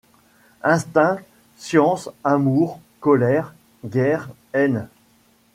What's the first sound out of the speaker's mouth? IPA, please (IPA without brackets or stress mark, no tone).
ɛ̃